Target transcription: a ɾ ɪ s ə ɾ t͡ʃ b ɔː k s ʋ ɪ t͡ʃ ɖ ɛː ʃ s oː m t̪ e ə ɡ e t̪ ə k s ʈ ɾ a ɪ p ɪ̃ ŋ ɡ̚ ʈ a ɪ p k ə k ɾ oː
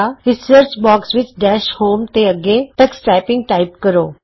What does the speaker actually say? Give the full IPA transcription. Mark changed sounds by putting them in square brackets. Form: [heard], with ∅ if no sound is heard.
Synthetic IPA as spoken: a ɾ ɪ s ə ɾ t͡ʃ b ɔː k s ʋ ɪ t͡ʃ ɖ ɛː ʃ [h] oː m t̪ e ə ɡ e t̪ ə k s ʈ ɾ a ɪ p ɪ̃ ŋ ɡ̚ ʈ a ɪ p k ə [∅] ɾ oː